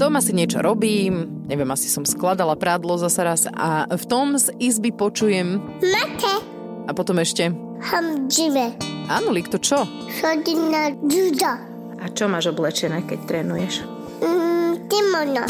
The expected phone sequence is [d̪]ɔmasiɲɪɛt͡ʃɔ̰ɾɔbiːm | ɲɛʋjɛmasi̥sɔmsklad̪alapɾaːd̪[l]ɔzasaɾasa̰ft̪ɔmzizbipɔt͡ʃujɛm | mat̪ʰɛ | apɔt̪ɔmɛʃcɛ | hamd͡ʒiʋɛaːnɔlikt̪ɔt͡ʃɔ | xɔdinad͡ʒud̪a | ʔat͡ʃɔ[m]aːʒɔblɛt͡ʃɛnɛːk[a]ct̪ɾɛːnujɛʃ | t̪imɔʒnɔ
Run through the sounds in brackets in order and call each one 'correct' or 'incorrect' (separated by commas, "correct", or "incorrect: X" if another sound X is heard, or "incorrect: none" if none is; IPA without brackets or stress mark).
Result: incorrect: t̪, correct, correct, incorrect: ɛ